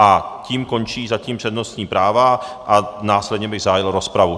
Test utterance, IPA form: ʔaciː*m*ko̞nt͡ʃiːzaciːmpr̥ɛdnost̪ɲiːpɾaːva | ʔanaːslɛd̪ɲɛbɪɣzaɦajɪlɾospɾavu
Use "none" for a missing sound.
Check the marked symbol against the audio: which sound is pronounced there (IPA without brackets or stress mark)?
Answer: m